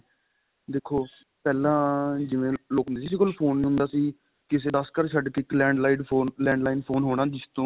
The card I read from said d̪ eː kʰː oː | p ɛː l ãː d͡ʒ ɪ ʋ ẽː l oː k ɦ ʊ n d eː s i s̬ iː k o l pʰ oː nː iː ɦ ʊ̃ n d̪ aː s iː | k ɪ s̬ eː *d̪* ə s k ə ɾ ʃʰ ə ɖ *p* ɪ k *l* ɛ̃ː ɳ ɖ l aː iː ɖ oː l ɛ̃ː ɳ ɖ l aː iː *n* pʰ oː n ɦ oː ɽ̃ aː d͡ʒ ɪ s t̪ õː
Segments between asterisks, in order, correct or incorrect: correct, incorrect: k, correct, correct

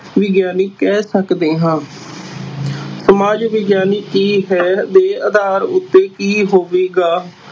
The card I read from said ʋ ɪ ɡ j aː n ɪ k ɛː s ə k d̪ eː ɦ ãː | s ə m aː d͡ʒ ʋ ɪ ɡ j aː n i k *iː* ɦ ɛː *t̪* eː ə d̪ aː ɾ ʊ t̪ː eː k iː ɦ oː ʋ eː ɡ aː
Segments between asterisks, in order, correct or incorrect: correct, incorrect: d̪

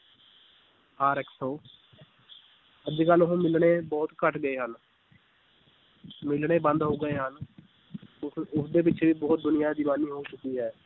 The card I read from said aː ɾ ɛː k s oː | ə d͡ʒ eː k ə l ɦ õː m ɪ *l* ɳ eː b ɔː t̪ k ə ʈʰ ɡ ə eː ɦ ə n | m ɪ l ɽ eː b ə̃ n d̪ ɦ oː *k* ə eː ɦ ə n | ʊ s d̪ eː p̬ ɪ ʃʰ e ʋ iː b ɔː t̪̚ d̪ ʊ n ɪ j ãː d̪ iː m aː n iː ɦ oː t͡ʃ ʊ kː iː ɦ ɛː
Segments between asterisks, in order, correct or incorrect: correct, incorrect: ɡ

